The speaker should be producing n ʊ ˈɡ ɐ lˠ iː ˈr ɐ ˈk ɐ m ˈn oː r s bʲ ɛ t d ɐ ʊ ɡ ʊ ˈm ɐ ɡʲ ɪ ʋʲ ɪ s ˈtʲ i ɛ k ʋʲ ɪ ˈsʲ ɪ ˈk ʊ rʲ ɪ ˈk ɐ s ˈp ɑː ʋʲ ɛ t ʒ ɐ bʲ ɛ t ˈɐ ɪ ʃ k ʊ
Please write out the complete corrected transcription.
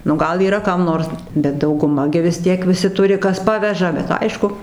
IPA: n ʊ ˈɡ ɐ lˠ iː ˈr ɐ ˈk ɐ m ˈn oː r s bʲ ɛ t d ɐ ʊ ɡ ʊ ˈm ɐ ɡʲ ɪ ʋʲ ɪ s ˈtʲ i ɛ k ʋʲ ɪ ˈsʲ ɪ ˈt ʊ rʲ ɪ ˈk ɐ s ˈp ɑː ʋʲ ɛ ʒ ɐ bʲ ɛ t ˈɐ ɪ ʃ k ʊ